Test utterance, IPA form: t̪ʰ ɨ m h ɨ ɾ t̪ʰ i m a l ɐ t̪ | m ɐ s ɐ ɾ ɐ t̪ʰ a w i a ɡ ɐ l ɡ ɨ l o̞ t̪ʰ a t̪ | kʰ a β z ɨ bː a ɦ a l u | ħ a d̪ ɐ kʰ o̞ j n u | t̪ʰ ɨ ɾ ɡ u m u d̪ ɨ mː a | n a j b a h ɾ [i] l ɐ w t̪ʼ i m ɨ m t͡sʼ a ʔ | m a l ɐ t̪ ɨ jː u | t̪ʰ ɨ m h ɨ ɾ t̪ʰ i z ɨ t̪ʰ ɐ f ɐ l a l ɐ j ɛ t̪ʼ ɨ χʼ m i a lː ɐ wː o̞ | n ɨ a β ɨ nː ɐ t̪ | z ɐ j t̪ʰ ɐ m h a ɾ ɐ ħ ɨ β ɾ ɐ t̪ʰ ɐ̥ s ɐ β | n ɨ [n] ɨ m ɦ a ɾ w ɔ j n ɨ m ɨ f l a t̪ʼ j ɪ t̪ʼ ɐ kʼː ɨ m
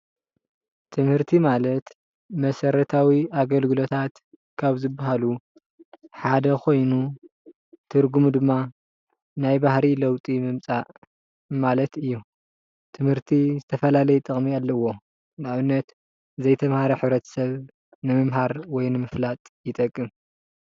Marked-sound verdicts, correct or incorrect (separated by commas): correct, incorrect